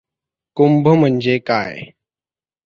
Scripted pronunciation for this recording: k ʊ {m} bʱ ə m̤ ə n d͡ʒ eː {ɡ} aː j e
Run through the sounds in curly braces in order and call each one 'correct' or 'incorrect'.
correct, incorrect: k

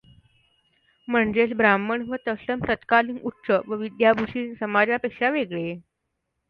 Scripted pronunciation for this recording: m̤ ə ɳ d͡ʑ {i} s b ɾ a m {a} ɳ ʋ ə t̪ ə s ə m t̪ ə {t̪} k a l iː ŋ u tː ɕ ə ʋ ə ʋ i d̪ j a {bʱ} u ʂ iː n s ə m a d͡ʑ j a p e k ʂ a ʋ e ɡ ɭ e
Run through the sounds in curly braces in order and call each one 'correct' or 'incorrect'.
incorrect: e, incorrect: ə, correct, correct

